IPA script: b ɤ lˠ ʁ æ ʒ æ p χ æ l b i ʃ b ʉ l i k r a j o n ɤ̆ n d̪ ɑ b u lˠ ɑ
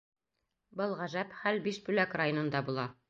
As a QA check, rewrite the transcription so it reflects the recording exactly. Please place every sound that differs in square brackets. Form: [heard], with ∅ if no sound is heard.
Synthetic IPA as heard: b ɤ lˠ ʁ æ ʒ æ p χ æ l b i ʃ b ʉ l [æ] k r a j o n ɤ̆ n d̪ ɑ b u lˠ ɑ